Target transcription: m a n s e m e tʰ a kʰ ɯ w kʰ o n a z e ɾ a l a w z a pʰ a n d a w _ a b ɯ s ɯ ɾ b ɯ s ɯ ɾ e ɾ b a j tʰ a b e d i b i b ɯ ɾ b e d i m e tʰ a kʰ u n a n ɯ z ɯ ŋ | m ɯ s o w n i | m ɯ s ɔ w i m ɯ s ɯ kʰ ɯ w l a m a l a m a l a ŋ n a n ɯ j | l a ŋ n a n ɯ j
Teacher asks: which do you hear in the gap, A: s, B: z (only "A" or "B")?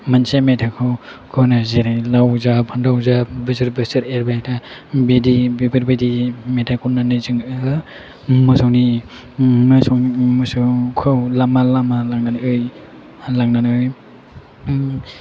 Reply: B